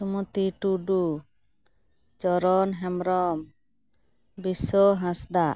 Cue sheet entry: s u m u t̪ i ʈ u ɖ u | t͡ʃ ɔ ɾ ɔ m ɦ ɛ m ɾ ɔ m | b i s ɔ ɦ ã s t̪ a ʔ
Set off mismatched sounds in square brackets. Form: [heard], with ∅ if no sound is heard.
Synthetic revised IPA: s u m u t̪ i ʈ u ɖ u | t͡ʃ ɔ ɾ ɔ [n] ɦ ɛ m ɾ ɔ m | b i s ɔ ɦ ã s [d̪] a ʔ

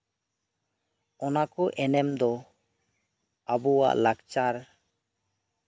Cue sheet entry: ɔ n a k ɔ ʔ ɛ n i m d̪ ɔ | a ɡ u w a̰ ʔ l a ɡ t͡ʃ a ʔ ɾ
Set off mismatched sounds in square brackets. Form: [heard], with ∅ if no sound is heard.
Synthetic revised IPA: ɔ n a k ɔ ʔ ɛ n [ɛ] m d̪ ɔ | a [b] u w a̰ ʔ l a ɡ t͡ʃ a [∅] ɾ

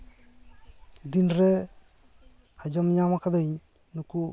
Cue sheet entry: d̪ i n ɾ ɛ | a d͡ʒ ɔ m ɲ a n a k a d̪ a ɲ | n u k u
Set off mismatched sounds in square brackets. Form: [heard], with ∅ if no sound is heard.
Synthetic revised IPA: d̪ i n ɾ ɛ | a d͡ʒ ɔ m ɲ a [m] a k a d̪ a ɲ | n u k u

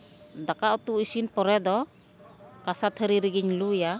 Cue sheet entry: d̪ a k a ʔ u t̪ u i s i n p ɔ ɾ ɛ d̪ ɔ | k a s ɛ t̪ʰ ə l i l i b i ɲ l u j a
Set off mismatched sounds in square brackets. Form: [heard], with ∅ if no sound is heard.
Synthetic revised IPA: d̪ a k a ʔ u t̪ u i s i n p ɔ ɾ ɛ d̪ ɔ | k a s [a] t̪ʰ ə [ɾ] i [ɾ] i [ɡ] i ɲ l u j a

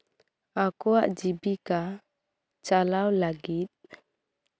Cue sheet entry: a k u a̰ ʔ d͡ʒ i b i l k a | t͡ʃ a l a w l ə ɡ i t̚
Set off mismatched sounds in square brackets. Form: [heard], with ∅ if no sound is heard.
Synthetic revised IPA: a k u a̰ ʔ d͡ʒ i b i [∅] k a | t͡ʃ a l a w l [a] ɡ i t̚

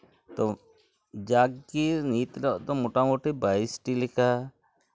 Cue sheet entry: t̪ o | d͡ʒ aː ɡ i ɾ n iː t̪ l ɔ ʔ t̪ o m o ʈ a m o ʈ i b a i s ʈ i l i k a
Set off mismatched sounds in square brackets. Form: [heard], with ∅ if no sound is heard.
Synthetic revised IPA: t̪ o | d͡ʒ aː ɡ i ɾ n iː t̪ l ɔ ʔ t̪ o m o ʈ a m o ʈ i b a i s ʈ i l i k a

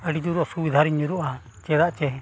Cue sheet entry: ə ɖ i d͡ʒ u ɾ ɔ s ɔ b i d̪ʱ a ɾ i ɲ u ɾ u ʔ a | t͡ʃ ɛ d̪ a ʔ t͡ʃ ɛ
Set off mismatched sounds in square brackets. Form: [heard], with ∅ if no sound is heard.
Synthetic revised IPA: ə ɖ i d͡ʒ u ɾ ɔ s [u] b i d̪ʱ a ɾ i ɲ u ɾ u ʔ a | t͡ʃ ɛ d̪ a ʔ t͡ʃ ɛ

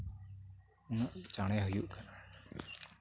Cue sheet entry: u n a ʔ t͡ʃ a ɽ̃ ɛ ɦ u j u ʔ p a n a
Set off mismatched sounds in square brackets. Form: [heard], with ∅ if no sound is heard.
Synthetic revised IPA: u n a ʔ t͡ʃ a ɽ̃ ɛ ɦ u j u ʔ [k] a n a

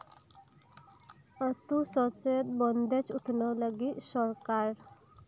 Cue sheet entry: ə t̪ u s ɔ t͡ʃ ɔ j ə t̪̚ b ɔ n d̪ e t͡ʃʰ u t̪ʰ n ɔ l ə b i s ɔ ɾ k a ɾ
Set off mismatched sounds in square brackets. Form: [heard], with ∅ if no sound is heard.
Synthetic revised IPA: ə t̪ u s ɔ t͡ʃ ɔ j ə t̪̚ b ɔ n d̪ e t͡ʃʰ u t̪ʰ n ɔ l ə [ɡ] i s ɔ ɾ k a ɾ

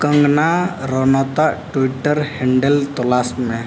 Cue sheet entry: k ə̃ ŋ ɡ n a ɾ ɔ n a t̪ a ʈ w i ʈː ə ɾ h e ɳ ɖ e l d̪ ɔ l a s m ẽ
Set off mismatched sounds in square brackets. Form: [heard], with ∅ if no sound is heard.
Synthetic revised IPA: k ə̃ ŋ ɡ n a ɾ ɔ n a t̪ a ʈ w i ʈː ə ɾ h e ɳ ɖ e l [t̪] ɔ l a s m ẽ

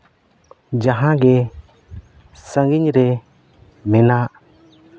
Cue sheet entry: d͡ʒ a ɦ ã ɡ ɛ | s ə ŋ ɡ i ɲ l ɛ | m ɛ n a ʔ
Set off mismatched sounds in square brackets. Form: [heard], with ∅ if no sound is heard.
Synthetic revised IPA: d͡ʒ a ɦ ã ɡ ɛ | s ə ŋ ɡ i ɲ [ɾ] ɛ | m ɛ n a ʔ

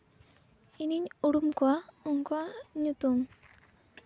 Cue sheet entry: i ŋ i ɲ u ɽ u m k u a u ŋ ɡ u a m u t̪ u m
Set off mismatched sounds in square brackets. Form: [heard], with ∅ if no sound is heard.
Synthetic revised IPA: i [n] i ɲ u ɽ u m k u a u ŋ [k] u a [ɲ] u t̪ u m

